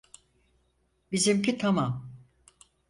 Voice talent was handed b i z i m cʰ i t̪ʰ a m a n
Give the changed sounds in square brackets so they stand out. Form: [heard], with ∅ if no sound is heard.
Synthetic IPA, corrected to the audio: b i z i m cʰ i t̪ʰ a m a [m]